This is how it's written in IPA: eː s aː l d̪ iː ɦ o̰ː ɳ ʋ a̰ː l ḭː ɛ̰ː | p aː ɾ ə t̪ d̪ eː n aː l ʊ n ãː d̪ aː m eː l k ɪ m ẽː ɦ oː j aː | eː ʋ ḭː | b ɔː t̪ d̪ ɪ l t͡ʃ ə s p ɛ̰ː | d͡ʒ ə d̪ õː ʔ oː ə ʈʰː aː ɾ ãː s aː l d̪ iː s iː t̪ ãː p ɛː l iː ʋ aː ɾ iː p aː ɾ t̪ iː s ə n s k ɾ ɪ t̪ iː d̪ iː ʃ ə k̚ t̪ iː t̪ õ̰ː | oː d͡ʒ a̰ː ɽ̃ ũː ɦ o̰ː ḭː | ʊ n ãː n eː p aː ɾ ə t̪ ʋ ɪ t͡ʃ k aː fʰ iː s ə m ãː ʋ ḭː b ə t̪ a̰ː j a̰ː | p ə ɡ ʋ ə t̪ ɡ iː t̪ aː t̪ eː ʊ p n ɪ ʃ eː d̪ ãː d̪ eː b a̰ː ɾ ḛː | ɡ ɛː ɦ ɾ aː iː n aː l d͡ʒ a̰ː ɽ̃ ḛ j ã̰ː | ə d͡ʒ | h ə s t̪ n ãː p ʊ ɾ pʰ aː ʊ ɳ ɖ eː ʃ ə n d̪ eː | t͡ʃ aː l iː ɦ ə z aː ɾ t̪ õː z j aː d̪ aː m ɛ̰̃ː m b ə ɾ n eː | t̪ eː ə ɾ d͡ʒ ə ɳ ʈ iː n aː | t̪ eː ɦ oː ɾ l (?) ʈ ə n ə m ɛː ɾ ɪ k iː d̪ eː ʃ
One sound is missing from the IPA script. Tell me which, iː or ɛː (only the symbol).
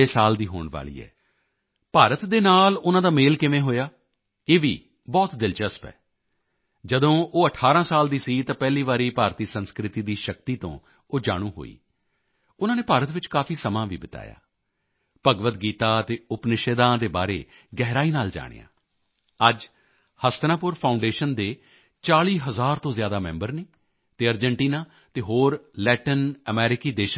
ɛː